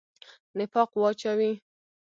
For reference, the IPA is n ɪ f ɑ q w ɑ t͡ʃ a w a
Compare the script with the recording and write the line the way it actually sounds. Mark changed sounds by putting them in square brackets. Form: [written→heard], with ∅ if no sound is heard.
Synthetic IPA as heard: n ɪ f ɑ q w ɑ t͡ʃ a w [a→i]